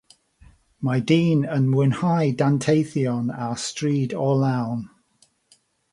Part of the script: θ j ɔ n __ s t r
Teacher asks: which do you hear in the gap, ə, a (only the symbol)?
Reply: a